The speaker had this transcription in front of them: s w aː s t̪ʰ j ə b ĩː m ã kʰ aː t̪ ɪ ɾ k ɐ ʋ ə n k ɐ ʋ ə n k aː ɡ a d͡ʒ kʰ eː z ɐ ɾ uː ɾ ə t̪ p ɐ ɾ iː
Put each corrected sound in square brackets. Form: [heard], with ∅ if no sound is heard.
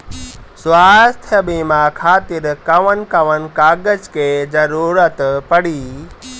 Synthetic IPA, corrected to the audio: s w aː s t̪ʰ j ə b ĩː m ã kʰ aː t̪ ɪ ɾ k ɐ ʋ ə n k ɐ ʋ ə n k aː ɡ [ə] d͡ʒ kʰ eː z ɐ ɾ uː ɾ ə t̪ p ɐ [ɽ] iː